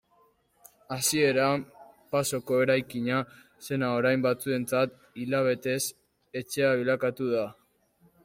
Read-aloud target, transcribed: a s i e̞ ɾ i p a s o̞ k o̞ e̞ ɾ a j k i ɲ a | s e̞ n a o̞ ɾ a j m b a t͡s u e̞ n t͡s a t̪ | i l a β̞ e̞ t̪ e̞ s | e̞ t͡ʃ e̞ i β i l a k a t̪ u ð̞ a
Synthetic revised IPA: a s i e̞ ɾ a p a s o̞ k o̞ e̞ ɾ a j k i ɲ a | s e̞ n a o̞ ɾ a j m b a t͡s u e̞ n t͡s a t̪ | i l a β̞ e̞ t̪ e̞ s | e̞ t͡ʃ e̞ a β i l a k a t̪ u ð̞ a